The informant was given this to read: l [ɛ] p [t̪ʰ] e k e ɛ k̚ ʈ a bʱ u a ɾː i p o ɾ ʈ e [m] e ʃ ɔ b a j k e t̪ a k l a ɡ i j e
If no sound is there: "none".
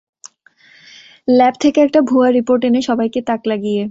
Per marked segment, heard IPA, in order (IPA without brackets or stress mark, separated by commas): ɛ, t̪ʰ, n